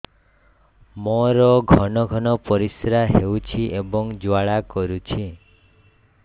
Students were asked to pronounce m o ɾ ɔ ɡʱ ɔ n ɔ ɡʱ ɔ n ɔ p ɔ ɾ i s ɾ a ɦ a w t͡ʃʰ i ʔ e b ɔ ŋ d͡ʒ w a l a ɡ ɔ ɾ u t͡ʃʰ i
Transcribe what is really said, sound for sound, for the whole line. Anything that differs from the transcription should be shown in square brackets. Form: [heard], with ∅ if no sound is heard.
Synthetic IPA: m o ɾ ɔ ɡʱ ɔ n ɔ ɡʱ ɔ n ɔ p ɔ ɾ i s ɾ a ɦ [e] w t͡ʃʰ i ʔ e b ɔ ŋ d͡ʒ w a [ɭ] a [k] ɔ ɾ u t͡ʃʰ i